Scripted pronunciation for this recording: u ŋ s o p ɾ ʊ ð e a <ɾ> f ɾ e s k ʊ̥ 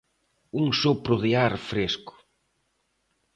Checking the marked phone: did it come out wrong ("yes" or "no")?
no